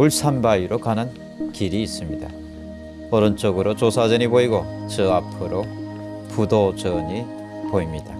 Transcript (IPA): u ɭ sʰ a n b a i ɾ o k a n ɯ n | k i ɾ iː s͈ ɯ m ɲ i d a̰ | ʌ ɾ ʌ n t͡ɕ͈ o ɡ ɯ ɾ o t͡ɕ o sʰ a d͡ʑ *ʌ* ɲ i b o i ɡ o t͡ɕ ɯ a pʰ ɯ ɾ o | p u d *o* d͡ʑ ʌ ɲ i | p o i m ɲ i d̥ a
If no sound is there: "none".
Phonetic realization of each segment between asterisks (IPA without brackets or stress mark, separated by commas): ʌ, o